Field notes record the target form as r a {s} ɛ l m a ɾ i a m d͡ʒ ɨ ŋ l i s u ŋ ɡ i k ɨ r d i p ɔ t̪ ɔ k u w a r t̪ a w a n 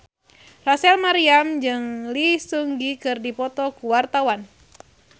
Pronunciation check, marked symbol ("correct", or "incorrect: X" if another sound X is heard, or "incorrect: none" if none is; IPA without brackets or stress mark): correct